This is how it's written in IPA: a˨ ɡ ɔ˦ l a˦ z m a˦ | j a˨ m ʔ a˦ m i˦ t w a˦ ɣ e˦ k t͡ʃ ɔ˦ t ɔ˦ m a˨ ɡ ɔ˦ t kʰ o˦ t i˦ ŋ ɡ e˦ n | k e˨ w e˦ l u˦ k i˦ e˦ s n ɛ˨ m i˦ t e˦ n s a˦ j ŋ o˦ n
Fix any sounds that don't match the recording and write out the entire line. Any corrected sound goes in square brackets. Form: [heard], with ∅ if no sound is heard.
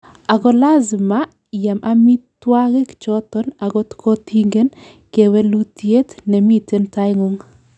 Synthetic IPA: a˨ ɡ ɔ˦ l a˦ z m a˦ | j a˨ m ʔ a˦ m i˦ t w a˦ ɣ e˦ k t͡ʃ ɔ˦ t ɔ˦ [n] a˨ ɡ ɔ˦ t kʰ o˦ t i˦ ŋ ɡ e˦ n | k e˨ w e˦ l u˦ [t] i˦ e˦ [t] n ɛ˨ m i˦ t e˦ n [t] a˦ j ŋ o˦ [ŋ]